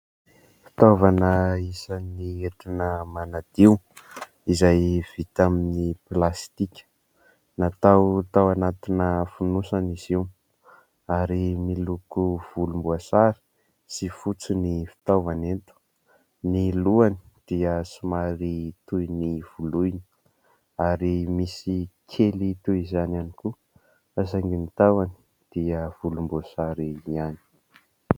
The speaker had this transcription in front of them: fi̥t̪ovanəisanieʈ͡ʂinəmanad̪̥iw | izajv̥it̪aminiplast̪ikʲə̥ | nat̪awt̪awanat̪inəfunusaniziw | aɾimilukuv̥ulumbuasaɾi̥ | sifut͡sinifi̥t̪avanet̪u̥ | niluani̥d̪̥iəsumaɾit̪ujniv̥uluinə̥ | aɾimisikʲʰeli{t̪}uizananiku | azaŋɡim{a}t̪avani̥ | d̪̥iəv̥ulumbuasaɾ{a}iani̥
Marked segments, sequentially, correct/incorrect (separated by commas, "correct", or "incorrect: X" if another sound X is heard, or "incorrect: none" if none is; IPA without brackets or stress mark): correct, incorrect: i, incorrect: i